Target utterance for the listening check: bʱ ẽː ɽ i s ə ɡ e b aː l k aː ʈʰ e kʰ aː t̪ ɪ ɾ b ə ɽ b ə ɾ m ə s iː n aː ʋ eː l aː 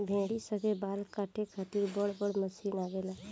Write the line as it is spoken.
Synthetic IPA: bʱ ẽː ɽ i s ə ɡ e b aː l k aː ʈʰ e kʰ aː t̪ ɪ ɾ b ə ɽ b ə ɽ m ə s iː n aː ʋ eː l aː